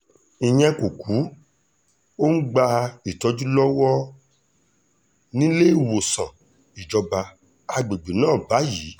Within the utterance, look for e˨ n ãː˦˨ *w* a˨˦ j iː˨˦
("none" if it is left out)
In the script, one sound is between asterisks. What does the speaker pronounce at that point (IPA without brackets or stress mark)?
b